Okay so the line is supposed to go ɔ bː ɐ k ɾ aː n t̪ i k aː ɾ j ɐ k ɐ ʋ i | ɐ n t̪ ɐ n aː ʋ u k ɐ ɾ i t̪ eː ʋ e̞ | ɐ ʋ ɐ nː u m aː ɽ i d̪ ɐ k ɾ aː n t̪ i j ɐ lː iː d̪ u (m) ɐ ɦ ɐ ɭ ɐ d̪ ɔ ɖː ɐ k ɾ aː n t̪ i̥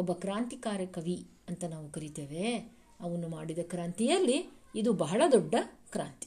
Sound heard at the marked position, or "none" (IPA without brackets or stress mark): b